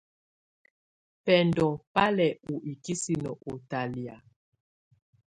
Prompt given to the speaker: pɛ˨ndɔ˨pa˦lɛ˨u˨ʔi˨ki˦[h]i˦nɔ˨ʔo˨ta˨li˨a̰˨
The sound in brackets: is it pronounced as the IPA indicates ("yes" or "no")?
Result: no